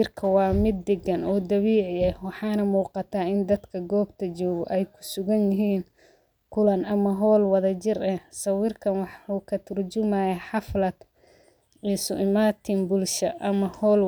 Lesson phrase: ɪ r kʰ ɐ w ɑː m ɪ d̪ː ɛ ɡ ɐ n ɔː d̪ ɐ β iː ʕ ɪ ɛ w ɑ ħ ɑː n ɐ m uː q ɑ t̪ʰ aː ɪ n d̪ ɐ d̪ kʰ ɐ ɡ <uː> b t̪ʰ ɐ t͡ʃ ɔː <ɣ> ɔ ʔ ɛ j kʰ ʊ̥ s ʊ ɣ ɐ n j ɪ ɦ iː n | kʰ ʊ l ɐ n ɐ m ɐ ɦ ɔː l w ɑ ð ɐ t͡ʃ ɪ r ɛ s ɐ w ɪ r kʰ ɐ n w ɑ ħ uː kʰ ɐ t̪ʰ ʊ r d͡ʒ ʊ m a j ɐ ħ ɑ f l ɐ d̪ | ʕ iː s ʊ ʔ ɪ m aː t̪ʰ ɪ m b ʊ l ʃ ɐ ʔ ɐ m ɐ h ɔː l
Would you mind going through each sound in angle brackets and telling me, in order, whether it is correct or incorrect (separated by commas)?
incorrect, correct